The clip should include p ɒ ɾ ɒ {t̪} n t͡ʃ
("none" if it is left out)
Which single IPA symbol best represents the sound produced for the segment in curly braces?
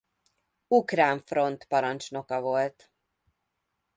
none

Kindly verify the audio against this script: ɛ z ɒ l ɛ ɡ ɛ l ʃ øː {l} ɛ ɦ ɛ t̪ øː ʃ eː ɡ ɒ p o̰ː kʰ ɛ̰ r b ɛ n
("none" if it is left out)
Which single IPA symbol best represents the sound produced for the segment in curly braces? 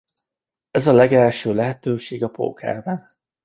l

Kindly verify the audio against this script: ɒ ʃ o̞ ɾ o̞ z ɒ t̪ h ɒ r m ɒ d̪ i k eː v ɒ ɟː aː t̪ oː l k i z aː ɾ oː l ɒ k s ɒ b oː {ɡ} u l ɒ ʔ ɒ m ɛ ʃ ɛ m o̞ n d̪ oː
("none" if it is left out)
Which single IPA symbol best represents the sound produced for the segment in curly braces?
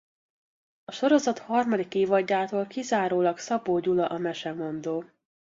ɟ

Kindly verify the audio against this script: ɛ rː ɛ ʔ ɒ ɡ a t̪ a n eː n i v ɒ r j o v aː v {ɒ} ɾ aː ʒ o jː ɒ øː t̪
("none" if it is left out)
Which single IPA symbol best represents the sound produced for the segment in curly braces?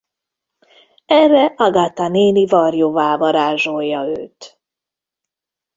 ɒ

